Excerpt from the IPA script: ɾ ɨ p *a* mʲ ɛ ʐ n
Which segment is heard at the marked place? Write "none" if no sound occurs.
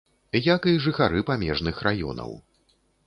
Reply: a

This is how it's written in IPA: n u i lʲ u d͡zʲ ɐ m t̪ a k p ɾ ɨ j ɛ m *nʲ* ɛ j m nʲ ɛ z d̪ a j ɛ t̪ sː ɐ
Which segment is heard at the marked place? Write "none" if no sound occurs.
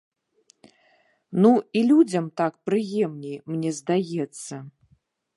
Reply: nʲ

